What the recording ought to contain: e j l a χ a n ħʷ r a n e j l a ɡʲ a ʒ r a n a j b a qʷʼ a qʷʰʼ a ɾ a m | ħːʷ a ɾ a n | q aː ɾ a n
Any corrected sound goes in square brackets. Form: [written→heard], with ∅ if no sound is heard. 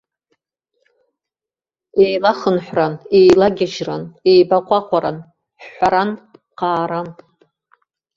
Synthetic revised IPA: e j l a χ [a→ə] n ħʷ r a n e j l a ɡʲ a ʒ r a n [a→e] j b a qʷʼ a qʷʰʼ a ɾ a [m→n] | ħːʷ a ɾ a n | q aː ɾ a n